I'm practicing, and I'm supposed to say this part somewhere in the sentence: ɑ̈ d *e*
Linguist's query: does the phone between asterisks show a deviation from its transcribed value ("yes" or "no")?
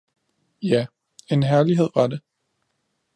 no